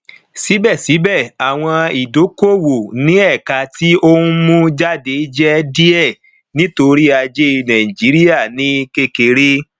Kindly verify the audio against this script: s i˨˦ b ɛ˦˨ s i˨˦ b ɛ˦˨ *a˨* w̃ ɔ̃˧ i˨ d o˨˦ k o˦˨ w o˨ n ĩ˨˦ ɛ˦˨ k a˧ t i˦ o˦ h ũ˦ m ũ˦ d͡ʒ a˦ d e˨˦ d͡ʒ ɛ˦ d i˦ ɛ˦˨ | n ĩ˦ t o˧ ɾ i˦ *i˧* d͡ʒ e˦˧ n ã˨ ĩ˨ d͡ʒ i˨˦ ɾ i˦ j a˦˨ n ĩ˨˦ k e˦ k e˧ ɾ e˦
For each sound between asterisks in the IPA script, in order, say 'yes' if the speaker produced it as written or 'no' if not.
yes, no

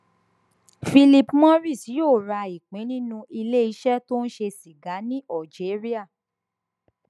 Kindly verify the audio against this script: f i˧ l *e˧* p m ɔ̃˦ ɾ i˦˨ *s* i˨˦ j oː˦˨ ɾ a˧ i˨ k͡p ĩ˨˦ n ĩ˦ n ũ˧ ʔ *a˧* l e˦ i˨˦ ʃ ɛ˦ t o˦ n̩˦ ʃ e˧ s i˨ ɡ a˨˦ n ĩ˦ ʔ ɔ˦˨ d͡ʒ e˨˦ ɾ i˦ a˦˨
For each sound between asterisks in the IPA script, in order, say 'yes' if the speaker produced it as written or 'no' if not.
no, yes, no

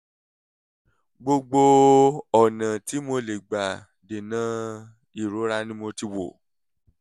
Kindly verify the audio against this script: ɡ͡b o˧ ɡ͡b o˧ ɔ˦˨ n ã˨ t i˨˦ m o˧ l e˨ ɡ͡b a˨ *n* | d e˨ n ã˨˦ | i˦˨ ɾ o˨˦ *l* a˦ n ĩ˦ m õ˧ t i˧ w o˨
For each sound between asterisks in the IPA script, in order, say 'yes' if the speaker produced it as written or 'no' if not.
no, no

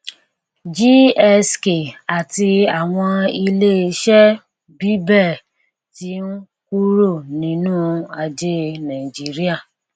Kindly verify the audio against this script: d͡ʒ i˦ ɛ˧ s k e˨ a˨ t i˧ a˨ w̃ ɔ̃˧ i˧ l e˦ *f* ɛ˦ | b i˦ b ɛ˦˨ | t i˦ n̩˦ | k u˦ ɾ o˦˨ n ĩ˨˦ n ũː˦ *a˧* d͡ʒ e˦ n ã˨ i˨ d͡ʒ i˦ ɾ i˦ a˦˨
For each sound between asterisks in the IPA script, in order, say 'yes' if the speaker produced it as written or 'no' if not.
no, yes

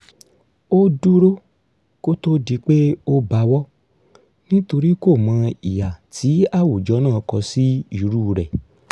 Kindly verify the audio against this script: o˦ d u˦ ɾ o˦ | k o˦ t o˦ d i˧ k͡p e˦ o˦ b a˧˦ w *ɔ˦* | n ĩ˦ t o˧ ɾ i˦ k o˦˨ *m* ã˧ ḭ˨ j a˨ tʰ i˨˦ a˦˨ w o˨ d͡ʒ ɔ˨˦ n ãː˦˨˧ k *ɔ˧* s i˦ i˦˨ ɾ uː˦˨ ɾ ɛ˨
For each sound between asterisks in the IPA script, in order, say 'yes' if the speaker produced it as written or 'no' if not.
yes, yes, yes

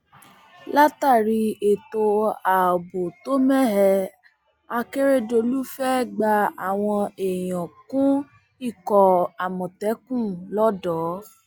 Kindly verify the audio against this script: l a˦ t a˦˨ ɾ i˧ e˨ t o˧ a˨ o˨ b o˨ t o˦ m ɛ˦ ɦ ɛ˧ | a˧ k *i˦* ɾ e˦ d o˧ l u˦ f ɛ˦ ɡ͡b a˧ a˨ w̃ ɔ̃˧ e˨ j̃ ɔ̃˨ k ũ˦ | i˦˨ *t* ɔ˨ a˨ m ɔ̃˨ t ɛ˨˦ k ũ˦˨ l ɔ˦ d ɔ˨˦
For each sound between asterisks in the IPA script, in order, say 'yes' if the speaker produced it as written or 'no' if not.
no, no

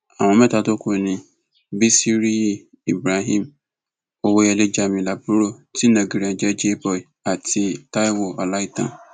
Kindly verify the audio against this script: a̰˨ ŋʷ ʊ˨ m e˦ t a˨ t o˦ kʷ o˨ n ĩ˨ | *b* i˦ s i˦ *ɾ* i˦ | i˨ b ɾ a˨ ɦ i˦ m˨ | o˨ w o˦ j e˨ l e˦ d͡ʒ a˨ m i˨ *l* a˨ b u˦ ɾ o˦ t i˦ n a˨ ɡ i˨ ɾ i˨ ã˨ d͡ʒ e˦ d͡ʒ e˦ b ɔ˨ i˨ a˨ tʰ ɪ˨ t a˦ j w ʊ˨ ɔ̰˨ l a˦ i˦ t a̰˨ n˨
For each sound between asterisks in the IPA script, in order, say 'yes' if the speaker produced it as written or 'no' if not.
yes, yes, yes

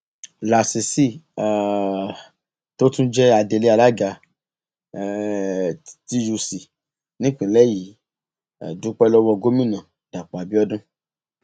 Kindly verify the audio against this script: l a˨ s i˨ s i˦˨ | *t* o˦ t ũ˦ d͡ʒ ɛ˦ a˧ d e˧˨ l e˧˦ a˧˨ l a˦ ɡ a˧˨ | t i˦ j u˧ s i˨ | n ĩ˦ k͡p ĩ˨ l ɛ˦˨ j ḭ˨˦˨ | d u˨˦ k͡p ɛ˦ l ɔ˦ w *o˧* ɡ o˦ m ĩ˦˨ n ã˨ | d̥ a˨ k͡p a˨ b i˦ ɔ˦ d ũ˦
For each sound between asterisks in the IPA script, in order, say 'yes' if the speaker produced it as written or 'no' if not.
yes, no

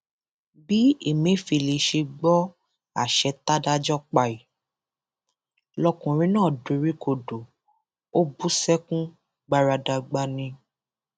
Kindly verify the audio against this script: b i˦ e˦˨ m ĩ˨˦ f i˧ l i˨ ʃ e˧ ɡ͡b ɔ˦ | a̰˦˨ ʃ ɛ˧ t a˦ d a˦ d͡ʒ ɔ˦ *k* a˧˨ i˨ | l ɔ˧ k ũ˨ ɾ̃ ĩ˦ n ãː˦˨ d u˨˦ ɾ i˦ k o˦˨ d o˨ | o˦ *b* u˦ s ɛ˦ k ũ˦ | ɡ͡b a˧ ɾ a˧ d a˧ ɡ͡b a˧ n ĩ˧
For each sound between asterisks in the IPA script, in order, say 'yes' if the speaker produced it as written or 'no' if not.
no, yes

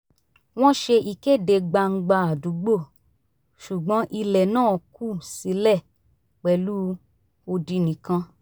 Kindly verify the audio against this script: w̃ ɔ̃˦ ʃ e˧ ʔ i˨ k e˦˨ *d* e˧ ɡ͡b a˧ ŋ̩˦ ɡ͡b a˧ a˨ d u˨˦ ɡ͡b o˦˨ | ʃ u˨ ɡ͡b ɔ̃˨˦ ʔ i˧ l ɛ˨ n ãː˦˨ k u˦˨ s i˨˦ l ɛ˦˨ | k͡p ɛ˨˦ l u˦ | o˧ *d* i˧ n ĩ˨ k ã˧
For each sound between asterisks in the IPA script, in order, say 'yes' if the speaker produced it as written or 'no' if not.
yes, yes

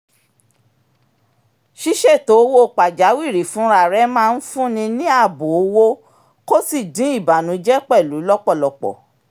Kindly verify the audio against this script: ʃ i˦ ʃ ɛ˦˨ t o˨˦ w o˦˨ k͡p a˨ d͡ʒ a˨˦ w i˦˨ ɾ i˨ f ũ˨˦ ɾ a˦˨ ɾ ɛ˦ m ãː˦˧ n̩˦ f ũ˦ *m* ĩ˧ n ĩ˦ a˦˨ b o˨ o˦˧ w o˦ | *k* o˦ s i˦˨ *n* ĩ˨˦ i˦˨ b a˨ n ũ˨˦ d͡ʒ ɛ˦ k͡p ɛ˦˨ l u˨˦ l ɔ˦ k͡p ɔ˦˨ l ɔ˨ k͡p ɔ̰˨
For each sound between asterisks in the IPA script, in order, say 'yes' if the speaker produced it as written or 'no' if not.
no, yes, no

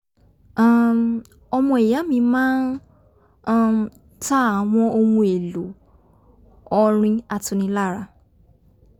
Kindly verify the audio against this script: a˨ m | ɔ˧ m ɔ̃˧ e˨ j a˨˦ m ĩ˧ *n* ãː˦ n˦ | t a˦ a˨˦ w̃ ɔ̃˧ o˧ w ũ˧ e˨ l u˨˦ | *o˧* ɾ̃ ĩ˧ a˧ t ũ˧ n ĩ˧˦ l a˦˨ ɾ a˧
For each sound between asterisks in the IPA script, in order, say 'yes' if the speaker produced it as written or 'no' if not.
no, no

